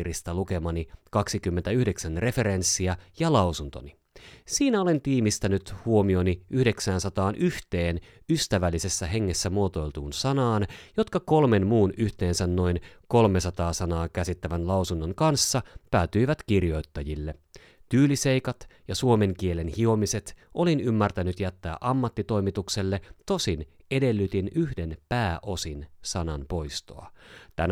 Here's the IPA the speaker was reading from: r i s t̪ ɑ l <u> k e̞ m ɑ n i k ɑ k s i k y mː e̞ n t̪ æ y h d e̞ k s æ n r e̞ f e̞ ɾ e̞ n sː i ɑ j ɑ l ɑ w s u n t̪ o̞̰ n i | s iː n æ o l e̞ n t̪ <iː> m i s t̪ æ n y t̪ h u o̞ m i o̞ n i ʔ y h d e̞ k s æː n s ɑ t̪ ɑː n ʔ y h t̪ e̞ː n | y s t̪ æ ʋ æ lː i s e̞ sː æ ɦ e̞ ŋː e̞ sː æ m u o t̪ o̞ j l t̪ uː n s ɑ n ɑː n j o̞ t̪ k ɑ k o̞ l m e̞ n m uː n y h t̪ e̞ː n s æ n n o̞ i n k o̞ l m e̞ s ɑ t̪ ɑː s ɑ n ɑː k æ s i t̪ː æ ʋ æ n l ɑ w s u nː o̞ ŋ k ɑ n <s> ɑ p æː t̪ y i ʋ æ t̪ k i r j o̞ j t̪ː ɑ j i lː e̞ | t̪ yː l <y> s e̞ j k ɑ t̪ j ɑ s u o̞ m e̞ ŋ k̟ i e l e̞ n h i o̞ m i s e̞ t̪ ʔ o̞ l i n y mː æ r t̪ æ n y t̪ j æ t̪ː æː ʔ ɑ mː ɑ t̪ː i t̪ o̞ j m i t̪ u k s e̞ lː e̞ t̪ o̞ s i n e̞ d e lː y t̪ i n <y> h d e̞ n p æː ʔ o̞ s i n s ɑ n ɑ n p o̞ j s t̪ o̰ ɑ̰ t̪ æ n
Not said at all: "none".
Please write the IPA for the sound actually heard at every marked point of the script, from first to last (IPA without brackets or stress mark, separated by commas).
u, iː, sː, i, y